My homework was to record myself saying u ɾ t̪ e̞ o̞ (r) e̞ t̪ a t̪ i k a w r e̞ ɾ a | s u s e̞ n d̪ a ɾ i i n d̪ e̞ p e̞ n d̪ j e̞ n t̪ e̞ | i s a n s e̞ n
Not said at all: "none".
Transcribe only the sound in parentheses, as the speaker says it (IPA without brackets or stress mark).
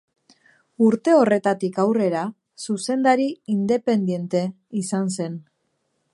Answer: r